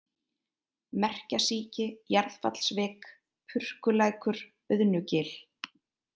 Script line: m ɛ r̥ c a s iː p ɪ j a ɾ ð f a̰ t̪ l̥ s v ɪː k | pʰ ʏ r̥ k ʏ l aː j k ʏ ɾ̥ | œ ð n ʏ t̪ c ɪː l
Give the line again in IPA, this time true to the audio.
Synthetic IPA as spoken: m ɛ r̥ c a s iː c ɪ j a ɾ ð f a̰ t̪ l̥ s v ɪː k | pʰ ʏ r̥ k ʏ l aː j k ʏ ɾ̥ | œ ð n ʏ c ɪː l